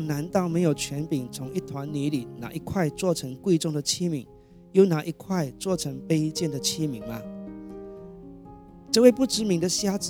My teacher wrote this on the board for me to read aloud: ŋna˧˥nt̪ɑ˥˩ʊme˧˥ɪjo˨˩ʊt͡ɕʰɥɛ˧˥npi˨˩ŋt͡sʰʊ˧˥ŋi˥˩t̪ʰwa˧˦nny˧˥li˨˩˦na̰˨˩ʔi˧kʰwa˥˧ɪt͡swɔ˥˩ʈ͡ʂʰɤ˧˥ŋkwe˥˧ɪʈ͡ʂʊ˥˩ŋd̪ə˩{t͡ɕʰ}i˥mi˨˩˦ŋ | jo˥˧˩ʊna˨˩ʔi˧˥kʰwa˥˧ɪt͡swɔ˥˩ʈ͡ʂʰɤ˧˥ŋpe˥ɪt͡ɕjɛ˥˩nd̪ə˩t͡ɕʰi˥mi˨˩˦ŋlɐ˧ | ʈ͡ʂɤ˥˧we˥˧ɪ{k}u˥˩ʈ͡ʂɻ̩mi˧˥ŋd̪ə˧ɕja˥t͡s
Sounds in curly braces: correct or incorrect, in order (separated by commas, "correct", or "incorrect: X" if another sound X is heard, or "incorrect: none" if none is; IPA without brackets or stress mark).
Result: correct, incorrect: p